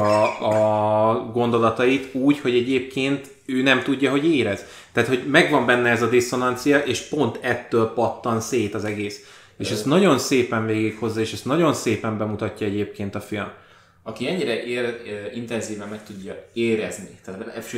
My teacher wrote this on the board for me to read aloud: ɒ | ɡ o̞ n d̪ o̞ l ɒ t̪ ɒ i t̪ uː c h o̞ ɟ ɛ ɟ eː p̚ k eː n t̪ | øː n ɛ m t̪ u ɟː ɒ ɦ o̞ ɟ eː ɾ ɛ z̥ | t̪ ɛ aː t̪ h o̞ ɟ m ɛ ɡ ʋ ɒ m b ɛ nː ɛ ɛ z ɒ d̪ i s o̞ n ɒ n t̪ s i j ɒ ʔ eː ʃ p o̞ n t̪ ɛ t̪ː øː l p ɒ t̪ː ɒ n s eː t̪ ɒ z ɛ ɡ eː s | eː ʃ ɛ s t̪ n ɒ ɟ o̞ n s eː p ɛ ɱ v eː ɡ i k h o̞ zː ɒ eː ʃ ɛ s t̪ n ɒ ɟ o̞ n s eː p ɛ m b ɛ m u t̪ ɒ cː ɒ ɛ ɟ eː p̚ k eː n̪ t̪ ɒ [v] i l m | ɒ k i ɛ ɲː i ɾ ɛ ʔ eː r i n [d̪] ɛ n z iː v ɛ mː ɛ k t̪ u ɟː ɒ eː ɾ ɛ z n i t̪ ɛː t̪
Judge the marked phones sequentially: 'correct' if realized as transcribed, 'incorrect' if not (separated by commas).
incorrect, incorrect